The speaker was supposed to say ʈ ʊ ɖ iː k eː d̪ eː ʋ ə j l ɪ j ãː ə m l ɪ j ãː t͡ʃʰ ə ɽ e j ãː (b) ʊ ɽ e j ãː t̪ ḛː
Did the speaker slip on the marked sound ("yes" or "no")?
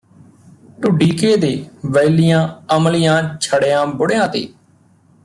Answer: no